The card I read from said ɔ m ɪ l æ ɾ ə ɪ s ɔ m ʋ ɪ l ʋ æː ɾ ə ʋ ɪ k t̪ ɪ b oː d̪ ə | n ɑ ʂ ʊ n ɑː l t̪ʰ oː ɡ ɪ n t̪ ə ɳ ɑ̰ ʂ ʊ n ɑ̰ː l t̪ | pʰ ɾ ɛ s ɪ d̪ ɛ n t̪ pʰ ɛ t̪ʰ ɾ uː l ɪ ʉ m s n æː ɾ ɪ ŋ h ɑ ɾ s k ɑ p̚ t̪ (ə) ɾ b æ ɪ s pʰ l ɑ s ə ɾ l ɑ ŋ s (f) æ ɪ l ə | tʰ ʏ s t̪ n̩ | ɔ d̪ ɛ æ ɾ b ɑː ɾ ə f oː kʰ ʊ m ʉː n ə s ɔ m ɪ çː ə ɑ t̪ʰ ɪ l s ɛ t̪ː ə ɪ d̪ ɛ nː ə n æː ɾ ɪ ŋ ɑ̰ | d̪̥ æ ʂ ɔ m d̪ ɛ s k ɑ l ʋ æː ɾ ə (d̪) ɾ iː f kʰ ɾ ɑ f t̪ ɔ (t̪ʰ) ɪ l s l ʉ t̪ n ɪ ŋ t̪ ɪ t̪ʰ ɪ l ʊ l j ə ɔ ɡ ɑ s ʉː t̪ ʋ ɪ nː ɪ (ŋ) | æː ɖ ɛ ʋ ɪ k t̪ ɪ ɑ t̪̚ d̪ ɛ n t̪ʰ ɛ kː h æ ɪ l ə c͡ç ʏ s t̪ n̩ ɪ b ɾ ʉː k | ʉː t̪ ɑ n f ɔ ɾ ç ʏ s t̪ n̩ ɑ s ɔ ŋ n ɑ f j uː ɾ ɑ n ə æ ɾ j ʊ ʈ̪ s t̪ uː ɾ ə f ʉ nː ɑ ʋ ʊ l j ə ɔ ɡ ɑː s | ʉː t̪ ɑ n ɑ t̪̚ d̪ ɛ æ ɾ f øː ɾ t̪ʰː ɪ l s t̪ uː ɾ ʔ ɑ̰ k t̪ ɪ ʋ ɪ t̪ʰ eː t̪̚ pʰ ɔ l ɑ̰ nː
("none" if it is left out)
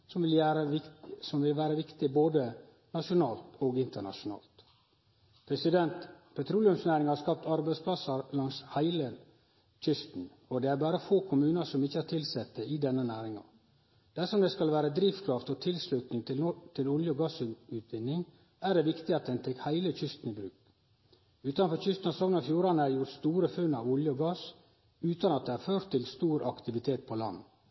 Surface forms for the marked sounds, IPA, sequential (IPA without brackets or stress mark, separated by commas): ɑ, h, d̪, t̪ʰ, ŋ